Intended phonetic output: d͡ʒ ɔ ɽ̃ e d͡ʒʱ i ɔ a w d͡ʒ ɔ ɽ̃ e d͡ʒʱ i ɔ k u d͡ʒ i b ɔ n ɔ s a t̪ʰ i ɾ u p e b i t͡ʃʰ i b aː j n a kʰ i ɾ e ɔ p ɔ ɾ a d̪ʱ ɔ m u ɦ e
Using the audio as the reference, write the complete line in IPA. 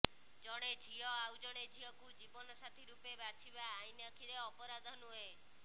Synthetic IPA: d͡ʒ ɔ ɽ̃ e d͡ʒʱ i ɔ a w d͡ʒ ɔ ɽ̃ e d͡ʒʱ i ɔ k u d͡ʒ i b ɔ n ɔ s a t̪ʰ i ɾ u p e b a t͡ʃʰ i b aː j n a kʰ i ɾ e ɔ p ɔ ɾ a d̪ʱ ɔ n u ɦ e